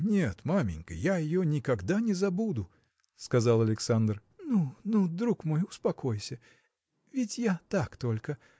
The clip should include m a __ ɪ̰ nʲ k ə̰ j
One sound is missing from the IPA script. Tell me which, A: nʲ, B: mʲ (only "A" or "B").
B